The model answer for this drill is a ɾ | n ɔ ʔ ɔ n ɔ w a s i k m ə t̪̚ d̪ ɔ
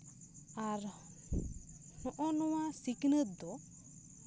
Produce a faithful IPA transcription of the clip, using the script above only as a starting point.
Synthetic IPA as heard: a ɾ | n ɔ ʔ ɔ n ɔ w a s i k n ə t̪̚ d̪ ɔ